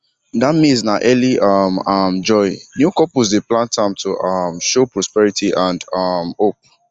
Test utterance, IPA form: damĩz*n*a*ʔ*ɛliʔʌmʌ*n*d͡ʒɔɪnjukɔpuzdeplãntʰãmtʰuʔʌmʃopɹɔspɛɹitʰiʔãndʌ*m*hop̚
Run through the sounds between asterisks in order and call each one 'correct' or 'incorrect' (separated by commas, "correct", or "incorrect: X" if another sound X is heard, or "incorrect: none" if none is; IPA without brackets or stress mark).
correct, correct, incorrect: m, correct